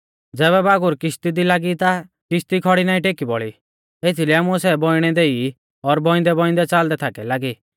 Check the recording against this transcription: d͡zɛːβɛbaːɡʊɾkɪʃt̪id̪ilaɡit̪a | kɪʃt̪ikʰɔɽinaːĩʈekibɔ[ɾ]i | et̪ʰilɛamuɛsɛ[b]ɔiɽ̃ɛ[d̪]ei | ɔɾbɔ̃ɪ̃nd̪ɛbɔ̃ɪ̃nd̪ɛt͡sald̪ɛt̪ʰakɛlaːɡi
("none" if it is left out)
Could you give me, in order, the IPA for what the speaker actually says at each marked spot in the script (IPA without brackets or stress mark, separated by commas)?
ɭ, b, d̪